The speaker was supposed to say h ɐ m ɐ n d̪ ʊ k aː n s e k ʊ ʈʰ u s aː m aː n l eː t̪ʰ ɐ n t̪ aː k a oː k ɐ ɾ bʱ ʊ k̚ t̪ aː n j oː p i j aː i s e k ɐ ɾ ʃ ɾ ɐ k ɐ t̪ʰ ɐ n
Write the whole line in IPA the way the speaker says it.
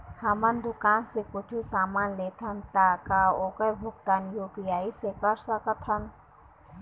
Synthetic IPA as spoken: h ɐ m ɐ n d̪ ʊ k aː n s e k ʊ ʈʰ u s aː m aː n l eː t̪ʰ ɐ n t̪ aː k a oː k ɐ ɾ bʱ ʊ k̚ t̪ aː n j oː p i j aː i s e k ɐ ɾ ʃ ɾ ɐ k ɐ t̪ʰ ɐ n